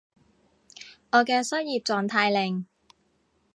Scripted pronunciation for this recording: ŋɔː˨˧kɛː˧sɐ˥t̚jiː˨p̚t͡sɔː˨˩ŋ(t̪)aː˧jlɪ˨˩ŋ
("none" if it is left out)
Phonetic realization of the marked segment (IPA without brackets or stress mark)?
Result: t̪ʰ